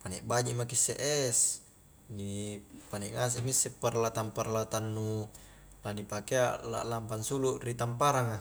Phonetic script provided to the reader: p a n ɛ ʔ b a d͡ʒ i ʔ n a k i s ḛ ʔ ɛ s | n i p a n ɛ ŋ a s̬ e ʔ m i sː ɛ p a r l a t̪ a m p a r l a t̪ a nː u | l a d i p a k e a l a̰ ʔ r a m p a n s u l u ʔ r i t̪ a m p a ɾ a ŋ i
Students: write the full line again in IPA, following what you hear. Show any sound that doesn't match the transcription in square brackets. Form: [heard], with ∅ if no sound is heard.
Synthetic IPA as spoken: p a n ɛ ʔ b a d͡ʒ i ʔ [m] a k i s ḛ ʔ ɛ s | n i p a n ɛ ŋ a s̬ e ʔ m i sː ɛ p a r l a t̪ a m p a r l a t̪ a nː u | l a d i p a k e a l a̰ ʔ [l] a m p a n s u l u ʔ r i t̪ a m p a ɾ a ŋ [a]